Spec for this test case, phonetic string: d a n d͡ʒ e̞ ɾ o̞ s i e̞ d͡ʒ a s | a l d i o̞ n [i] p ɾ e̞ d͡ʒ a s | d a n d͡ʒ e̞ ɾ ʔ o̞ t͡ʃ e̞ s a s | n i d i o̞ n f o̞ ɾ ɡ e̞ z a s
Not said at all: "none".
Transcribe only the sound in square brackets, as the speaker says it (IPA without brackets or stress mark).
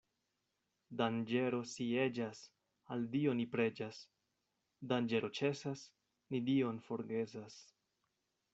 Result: i